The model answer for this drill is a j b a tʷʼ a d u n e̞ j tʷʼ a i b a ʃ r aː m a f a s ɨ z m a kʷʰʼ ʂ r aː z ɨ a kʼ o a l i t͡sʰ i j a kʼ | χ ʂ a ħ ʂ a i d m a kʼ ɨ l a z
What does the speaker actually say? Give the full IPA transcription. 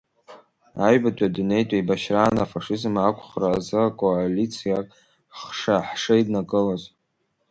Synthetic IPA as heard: a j b a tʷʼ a d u n e̞ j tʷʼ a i b a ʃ r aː n a f a ʂ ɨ z m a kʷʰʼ χ r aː z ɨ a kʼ o a l i t͡sʰ i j a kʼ | χ ʂ a ħ ʂ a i d n a kʼ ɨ l a z